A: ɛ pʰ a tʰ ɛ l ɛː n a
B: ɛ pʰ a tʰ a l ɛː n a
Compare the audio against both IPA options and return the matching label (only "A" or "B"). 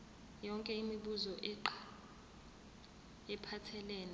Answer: A